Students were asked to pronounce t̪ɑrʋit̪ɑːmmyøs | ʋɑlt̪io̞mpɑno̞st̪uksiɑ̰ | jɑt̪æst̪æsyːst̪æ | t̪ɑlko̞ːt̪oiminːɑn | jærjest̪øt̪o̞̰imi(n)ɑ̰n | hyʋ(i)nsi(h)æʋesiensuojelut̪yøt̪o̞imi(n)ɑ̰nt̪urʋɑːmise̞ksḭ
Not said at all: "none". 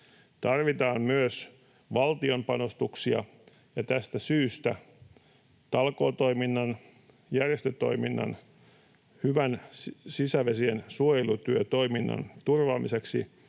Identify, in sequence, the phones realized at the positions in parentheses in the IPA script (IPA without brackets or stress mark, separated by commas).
nː, æ, s, nː